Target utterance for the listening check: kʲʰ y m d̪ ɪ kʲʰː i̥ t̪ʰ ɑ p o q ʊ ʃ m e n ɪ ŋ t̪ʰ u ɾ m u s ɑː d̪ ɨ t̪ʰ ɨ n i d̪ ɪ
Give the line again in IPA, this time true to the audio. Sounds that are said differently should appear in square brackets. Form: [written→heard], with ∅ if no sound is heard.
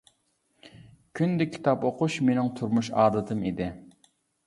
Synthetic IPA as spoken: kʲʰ y [m→n] d̪ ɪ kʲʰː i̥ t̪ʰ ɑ p o q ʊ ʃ m e n ɪ ŋ t̪ʰ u ɾ m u [s→ʃ] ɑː d̪ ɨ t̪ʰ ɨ [n→m] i d̪ ɪ